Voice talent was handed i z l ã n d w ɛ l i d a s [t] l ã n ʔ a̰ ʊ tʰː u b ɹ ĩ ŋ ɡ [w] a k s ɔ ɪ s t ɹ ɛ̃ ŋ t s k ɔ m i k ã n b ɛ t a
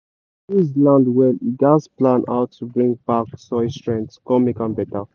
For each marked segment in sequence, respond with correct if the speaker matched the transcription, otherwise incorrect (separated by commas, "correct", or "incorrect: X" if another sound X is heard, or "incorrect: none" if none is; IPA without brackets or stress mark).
incorrect: p, incorrect: b